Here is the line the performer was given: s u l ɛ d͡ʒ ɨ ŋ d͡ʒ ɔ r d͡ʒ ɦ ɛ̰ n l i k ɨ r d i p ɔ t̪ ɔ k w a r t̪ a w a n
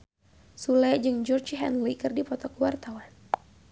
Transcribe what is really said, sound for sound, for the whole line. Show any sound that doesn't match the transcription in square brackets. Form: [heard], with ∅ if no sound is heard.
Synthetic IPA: s u l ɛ d͡ʒ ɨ ŋ d͡ʒ ɔ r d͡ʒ ɦ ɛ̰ n l i k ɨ r d i p ɔ t̪ ɔ k w a r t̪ a w a n

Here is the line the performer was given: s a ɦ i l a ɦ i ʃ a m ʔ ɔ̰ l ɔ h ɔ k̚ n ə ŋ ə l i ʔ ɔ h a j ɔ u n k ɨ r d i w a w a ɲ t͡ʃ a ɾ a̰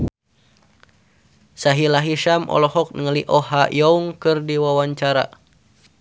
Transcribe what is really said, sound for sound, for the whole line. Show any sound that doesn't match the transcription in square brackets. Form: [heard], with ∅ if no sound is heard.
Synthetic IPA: s a ɦ i l a ɦ i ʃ a m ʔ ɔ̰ l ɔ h ɔ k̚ n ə ŋ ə l i ʔ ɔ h a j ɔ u [ŋ] k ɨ r d i w a w a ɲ t͡ʃ a ɾ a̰

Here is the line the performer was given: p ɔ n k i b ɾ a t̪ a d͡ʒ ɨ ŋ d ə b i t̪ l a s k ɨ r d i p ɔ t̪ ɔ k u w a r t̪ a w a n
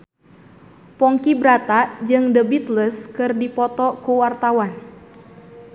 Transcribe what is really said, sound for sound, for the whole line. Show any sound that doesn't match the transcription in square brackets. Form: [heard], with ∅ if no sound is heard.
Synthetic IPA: p ɔ [ŋ] k i b ɾ a t̪ a d͡ʒ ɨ ŋ d ə b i t̪ l [ə] s k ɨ r d i p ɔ t̪ ɔ k u w a r t̪ a w a n

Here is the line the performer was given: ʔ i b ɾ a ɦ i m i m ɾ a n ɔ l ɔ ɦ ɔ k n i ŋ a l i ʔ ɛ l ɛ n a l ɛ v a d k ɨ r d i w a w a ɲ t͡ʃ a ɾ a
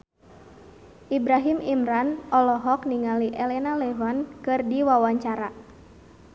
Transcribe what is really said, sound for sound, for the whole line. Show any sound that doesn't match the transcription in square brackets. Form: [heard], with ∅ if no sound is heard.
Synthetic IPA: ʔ i b ɾ a ɦ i m i m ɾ a n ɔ l ɔ ɦ ɔ k n i ŋ a l i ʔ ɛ l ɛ n a l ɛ v a [n] k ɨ r d i w a w a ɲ t͡ʃ a ɾ a

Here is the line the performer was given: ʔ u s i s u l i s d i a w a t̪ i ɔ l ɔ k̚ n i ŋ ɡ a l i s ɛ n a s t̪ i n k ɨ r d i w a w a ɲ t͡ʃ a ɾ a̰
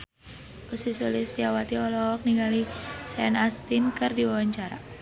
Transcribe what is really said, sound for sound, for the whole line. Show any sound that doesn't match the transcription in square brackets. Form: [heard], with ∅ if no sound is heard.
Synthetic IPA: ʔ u s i s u l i s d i a w a t̪ i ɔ l ɔ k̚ n i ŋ ɡ a l i s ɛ n a s t̪ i n k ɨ r d i w a w a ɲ t͡ʃ a ɾ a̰

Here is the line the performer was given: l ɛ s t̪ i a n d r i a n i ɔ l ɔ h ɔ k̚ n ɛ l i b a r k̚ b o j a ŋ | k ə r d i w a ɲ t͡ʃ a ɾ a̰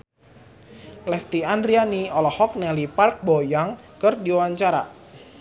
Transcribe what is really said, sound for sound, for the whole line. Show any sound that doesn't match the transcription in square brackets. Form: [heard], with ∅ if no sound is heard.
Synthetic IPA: l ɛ s t̪ i a n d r i a n i ɔ l ɔ h ɔ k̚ n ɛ l i [p] a r k̚ b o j a ŋ | k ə r d i w a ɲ t͡ʃ a ɾ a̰

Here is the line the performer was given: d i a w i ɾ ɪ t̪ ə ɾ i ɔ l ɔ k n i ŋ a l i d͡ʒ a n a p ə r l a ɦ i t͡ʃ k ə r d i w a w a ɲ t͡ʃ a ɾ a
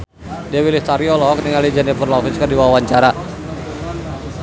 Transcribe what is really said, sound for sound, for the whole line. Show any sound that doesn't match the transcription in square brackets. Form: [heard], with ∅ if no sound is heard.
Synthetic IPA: d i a w i [l] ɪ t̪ [a] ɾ i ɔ l ɔ k n i ŋ a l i d͡ʒ a n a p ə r l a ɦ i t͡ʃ k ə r d i w a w a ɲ t͡ʃ a ɾ a

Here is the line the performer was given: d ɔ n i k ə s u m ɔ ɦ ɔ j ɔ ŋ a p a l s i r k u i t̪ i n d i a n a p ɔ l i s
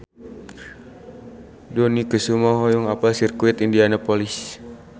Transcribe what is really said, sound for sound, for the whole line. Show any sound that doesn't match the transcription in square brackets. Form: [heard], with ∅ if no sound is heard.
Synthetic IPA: d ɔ n i k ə s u m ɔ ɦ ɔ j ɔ ŋ a p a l s i r k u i t̪ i n d i a n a p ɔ l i s

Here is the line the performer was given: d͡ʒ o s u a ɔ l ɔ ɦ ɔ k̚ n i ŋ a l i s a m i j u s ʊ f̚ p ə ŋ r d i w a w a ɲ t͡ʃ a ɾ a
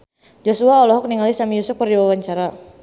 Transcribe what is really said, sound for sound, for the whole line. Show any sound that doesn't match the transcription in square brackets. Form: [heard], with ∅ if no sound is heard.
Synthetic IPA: d͡ʒ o s u a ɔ l ɔ ɦ ɔ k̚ n i ŋ a l i s a m i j u s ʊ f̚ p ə [∅] r d i w a w a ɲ t͡ʃ a ɾ a

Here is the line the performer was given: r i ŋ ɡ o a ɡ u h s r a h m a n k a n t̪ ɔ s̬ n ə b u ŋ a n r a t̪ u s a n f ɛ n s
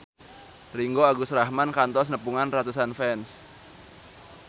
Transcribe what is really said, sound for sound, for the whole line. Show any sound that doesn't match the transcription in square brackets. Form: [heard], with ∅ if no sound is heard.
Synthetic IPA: r i ŋ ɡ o a ɡ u [∅] s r a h m a n k a n t̪ ɔ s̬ n ə [p] u ŋ a n r a t̪ u s a n f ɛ n s

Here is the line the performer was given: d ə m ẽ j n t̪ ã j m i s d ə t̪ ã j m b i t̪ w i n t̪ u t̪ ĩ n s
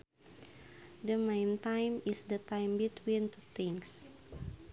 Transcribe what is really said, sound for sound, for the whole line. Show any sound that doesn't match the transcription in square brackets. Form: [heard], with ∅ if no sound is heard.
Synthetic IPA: d ə m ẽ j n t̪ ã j m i s d ə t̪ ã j m b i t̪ w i n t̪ u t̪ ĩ [ŋ] s

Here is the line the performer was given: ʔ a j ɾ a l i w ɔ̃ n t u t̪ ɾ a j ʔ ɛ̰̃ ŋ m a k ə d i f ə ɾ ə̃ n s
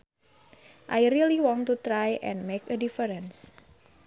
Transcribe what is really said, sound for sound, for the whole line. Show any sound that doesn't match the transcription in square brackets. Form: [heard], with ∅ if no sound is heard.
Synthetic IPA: ʔ a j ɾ [i] l i w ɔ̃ n t u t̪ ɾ a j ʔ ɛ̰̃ [n] m [e] k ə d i f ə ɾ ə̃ n s

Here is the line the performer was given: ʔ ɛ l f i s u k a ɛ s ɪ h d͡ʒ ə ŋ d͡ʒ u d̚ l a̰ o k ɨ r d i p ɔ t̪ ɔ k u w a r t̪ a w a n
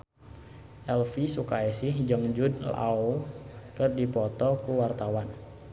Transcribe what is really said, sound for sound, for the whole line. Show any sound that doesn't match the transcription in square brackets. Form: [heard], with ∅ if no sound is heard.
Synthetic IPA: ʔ ɛ l f i s u k a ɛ s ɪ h d͡ʒ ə ŋ d͡ʒ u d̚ l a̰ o k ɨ r d i p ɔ t̪ ɔ k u w a r t̪ a w a n

